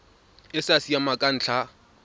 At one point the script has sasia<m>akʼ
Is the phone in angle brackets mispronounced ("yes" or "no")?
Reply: no